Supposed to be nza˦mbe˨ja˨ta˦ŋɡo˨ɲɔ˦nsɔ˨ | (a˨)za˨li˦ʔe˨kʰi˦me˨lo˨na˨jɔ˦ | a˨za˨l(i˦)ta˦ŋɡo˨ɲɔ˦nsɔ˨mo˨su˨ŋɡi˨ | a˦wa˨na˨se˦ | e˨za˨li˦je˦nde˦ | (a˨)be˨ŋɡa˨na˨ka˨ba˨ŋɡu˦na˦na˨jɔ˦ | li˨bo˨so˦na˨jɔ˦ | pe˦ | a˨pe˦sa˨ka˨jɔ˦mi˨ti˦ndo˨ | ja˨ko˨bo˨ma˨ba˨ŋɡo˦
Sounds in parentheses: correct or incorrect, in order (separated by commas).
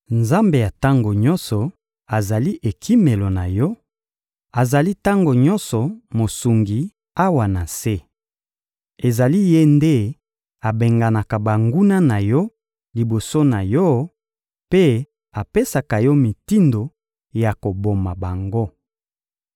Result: correct, correct, correct